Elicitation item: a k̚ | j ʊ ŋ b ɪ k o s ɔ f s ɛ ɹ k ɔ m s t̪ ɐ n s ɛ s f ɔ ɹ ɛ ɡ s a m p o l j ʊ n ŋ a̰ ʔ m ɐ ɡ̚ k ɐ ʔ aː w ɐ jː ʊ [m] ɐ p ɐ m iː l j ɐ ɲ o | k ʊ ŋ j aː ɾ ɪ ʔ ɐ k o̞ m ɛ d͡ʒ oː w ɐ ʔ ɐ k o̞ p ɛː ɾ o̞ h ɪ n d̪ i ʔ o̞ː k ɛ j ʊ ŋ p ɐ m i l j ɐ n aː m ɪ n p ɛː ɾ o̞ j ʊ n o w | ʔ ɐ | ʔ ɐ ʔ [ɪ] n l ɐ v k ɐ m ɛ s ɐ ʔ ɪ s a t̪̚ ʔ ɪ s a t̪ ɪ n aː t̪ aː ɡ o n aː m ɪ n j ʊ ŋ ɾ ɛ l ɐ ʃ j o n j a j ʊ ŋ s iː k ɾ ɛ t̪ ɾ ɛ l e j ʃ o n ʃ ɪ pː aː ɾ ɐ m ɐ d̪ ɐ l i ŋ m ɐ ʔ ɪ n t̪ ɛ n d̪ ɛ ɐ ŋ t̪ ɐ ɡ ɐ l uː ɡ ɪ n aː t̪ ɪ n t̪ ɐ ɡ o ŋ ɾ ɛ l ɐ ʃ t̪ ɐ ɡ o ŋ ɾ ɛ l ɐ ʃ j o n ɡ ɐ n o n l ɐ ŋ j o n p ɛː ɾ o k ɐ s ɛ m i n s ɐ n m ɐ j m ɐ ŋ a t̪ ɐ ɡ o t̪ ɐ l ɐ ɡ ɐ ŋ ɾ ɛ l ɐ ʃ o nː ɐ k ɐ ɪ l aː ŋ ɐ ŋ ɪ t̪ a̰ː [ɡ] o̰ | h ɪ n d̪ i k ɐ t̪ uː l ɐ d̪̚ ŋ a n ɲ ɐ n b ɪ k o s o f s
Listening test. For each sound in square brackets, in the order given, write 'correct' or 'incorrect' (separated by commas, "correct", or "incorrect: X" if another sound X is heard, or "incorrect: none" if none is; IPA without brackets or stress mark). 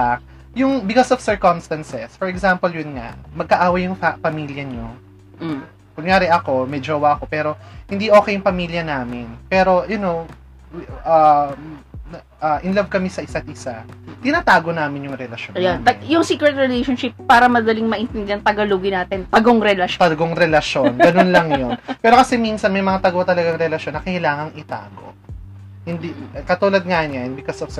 incorrect: ŋ, correct, correct